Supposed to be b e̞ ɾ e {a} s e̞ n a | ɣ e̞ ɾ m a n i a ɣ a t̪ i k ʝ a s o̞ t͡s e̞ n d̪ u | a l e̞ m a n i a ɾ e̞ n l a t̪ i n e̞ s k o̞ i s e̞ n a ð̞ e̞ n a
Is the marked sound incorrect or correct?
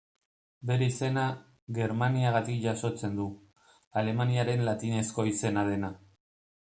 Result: incorrect